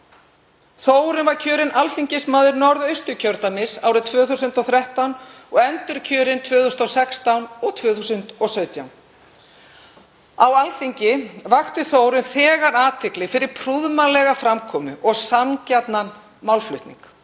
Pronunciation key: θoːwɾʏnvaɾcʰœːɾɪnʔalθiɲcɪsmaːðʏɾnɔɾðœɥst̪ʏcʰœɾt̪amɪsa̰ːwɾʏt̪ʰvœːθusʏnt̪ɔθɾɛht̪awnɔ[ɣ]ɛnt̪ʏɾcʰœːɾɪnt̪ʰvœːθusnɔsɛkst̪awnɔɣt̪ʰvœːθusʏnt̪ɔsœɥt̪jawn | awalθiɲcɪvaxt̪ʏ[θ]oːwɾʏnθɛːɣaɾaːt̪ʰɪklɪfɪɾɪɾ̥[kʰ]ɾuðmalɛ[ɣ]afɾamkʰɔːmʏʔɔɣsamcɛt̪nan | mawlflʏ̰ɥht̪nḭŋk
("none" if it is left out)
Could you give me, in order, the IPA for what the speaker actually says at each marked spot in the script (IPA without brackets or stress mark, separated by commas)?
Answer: ɣ, θ, pʰ, ɣ